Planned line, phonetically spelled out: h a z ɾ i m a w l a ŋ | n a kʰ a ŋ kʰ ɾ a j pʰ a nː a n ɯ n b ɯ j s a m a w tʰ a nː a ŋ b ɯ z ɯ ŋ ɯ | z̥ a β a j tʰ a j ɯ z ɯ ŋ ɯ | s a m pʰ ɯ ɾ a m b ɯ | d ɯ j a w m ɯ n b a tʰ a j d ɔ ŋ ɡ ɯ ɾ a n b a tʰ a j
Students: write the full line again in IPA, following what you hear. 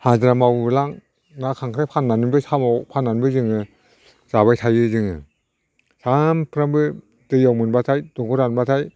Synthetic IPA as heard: h a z ɾ a m a w l a ŋ | n a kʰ a ŋ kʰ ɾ a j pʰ a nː a n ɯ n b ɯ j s a m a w pʰ a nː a n b ɯ z ɯ ŋ ɯ | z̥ a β a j tʰ a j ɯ z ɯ ŋ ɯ | s a m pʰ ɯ ɾ a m b ɯ | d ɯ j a w m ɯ n b a tʰ a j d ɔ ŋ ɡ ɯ ɾ a n b a tʰ a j